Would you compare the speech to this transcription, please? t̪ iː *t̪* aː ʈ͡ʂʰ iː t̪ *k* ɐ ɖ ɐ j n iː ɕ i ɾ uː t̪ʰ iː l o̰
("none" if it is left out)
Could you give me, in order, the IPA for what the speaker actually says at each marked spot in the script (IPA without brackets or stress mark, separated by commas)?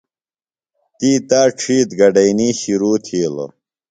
t̪, ɡ